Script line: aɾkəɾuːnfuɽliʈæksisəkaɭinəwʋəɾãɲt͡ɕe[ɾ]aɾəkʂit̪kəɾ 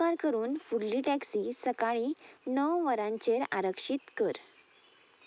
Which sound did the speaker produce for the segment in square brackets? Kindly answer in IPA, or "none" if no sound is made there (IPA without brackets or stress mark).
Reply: ɾ